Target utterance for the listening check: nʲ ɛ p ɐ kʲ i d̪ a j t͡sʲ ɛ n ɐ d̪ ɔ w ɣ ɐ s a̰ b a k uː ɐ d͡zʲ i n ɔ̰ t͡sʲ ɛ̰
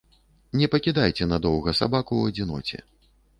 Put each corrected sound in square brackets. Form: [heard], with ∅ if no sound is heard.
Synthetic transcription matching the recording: nʲ ɛ p ɐ kʲ i d̪ a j t͡sʲ ɛ n ɐ d̪ ɔ w ɣ ɐ s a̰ b a k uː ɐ d͡zʲ i n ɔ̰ t͡sʲ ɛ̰

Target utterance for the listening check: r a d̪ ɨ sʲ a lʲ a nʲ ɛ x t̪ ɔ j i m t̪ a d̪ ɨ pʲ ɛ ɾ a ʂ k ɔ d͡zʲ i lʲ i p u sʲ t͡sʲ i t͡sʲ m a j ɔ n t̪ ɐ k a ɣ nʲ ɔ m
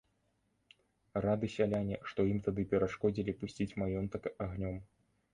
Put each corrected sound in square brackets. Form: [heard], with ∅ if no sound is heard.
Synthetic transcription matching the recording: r a d̪ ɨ sʲ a lʲ a nʲ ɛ [ʂ] t̪ ɔ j i m t̪ a d̪ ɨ pʲ ɛ ɾ a ʂ k ɔ d͡zʲ i lʲ i p u sʲ t͡sʲ i t͡sʲ m a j ɔ n t̪ ɐ k a ɣ nʲ ɔ m

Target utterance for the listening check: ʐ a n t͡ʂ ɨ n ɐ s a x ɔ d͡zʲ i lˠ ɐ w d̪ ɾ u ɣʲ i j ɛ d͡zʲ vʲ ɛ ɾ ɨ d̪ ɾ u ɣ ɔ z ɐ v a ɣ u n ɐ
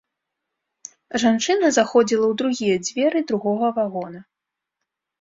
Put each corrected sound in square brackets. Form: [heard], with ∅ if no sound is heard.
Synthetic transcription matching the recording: ʐ a n t͡ʂ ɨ n ɐ [z] a x ɔ d͡zʲ i lˠ ɐ w d̪ ɾ u ɣʲ i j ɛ d͡zʲ vʲ ɛ ɾ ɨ d̪ ɾ u ɣ ɔ [ɣ] ɐ v a ɣ [ɔ] n ɐ

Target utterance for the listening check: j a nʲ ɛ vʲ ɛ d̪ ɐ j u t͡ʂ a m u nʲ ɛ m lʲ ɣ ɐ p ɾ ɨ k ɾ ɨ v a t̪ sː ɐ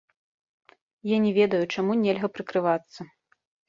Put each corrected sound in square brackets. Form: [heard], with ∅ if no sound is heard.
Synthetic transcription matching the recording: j a nʲ ɛ vʲ ɛ d̪ ɐ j u t͡ʂ a m u nʲ ɛ [∅] lʲ ɣ ɐ p ɾ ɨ k ɾ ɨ v a t̪ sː ɐ

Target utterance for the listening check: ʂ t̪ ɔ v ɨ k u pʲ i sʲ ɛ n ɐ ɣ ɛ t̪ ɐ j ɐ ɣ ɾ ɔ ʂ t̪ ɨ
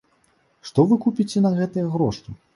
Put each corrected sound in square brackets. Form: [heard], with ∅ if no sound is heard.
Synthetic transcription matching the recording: ʂ t̪ ɔ v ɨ k u pʲ i [t͡sʲ] ɛ n ɐ ɣ ɛ t̪ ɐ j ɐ ɣ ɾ ɔ ʂ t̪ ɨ

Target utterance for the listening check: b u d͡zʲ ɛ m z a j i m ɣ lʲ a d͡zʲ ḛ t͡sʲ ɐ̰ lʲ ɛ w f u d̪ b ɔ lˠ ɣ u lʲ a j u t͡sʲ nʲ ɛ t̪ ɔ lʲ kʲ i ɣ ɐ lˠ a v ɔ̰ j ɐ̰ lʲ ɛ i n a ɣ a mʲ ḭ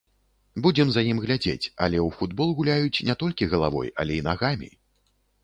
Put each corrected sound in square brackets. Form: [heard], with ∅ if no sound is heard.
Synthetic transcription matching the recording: b u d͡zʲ ɛ m z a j i m ɣ lʲ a d͡zʲ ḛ t͡sʲ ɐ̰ lʲ ɛ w f u d̪ b ɔ lˠ ɣ u lʲ a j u t͡sʲ nʲ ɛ t̪ ɔ lʲ kʲ i ɣ ɐ lˠ a v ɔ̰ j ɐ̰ lʲ ɛ i n a ɣ a mʲ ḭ

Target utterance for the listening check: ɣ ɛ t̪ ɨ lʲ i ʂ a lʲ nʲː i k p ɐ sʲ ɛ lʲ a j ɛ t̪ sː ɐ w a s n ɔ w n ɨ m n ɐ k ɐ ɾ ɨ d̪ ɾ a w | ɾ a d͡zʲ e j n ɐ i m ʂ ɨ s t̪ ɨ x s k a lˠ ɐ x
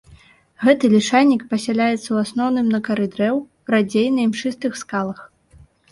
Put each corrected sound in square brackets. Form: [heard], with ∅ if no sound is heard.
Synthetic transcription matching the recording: ɣ ɛ t̪ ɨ lʲ i ʂ a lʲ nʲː i k p ɐ sʲ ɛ lʲ a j ɛ t̪ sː ɐ w a s n ɔ w n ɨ m n ɐ k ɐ ɾ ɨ d̪ ɾ [ɛ] w | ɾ a d͡zʲ e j n ɐ i m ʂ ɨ s t̪ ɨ x s k a lˠ ɐ x

